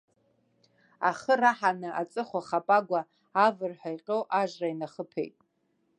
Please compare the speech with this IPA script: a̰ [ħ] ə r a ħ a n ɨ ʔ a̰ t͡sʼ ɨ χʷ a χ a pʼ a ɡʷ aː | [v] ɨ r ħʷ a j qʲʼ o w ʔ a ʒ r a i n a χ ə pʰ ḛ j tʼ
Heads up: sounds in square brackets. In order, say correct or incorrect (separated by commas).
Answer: incorrect, correct